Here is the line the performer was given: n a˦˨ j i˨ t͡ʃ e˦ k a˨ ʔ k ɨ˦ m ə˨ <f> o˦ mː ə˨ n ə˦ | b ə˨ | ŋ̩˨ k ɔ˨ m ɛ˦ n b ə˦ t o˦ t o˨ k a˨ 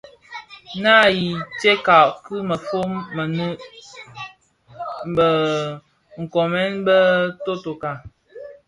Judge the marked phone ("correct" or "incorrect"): correct